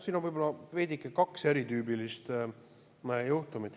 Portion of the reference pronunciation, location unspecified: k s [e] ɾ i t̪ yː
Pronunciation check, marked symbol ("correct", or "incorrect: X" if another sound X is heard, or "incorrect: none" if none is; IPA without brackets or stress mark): correct